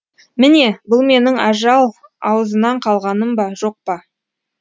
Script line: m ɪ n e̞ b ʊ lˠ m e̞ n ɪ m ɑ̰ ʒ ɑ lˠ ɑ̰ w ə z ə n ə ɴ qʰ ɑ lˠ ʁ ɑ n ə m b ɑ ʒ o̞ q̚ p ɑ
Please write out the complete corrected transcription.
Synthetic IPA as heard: m ɪ n e̞ b ʊ lˠ m e̞ n ɪ ŋ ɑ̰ ʒ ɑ lˠ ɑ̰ w ə z ə n ɑ ɴ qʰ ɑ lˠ ʁ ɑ n ə m b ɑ ʒ o̞ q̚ p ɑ